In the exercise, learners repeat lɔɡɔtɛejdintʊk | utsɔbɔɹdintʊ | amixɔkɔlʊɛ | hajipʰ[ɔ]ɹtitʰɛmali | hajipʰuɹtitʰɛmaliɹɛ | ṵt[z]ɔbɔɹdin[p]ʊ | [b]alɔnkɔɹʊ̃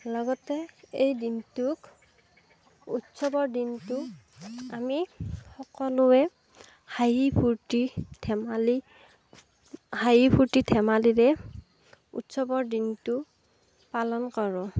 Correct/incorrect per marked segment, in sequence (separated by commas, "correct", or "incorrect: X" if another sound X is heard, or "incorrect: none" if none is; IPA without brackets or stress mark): incorrect: u, incorrect: s, incorrect: t, incorrect: p